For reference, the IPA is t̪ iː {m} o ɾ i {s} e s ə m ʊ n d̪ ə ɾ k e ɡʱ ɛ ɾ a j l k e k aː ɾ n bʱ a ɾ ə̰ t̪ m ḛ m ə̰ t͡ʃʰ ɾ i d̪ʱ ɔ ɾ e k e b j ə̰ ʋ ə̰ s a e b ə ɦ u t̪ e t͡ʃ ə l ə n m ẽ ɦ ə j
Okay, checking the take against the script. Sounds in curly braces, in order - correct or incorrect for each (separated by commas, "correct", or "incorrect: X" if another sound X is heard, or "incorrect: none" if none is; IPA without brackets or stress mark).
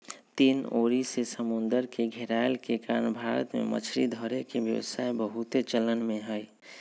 incorrect: n, correct